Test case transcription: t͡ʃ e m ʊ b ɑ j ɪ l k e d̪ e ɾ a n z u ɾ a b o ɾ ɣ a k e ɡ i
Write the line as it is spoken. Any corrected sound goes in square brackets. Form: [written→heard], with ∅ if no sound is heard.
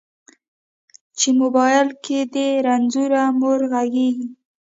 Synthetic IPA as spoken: t͡ʃ e m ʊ b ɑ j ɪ l k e d̪ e ɾ a n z u ɾ a [b→m] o ɾ ɣ a [k→ɡ] e ɡ i